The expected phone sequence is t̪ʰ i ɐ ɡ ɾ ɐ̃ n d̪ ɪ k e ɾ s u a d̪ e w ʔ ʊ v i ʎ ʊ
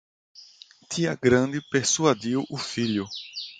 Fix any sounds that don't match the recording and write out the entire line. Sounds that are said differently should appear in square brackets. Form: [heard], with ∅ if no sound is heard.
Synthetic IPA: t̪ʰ i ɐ ɡ ɾ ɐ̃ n d̪ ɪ [p] e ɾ s u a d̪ [i] w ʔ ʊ [f] i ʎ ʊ